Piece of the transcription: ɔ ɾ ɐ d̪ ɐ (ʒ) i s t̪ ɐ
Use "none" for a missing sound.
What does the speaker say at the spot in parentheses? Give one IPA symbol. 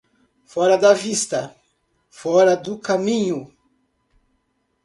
v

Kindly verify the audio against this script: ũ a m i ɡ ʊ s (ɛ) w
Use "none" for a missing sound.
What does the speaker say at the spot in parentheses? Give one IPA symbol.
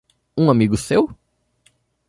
e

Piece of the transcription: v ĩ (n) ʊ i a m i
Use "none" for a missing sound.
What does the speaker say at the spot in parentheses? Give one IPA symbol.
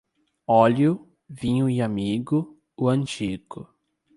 ɲ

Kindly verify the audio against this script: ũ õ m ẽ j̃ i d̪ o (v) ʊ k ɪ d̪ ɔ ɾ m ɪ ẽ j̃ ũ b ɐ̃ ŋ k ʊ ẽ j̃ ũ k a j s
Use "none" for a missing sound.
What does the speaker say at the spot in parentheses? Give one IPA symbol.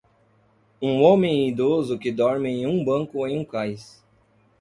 z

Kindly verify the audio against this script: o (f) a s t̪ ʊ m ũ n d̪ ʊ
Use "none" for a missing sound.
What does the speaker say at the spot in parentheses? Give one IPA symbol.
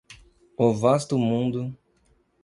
v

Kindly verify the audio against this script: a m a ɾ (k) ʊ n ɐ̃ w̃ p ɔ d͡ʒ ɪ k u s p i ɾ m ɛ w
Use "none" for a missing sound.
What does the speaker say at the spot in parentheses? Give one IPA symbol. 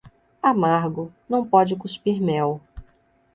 ɡ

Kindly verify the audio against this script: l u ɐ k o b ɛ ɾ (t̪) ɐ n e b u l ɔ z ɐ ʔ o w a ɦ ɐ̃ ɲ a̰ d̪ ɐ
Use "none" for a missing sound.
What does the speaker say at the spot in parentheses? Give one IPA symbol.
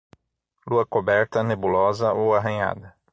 t̪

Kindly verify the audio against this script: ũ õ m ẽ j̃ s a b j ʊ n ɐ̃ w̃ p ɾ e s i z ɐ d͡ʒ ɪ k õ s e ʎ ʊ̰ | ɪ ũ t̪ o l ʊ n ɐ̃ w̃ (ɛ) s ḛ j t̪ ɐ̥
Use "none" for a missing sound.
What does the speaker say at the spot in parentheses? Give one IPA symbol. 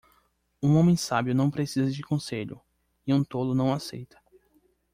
a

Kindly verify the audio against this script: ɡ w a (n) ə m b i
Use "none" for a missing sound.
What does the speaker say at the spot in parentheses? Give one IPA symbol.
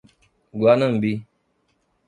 n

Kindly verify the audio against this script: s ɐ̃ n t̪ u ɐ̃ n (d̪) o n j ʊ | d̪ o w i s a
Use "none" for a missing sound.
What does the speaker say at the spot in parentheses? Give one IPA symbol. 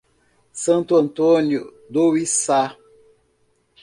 t̪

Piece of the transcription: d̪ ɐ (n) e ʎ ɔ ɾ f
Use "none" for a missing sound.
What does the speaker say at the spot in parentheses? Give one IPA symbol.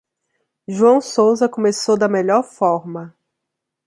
m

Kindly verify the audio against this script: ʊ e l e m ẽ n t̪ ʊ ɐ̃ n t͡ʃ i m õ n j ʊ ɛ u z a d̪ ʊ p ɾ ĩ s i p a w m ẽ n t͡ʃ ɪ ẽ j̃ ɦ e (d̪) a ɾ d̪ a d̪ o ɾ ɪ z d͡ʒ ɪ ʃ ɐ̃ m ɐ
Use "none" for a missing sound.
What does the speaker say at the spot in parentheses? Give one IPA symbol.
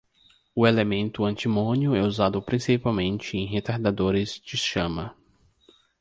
t̪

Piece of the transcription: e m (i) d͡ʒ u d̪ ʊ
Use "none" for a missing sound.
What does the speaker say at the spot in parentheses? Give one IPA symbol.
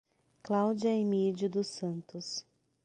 i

